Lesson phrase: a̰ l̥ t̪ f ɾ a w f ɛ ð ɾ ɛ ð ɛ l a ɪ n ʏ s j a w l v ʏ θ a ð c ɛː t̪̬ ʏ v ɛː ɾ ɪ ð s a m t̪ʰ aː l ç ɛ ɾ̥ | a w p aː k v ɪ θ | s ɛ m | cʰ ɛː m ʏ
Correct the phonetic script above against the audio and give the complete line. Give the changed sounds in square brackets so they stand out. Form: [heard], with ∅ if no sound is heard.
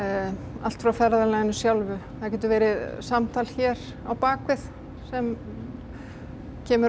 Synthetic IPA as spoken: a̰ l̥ t̪ f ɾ a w f ɛ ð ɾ [a] ð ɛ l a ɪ n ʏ s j a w l v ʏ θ a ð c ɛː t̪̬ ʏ v ɛː ɾ ɪ ð s a m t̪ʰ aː l ç ɛ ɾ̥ | a w p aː k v ɪ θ | s ɛ m | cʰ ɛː m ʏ